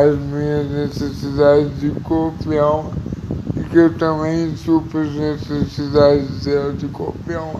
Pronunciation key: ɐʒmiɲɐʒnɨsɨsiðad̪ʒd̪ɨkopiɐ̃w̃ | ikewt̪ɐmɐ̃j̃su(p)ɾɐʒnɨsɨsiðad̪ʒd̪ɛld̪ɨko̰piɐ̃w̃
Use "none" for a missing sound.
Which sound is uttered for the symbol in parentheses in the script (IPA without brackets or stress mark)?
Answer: p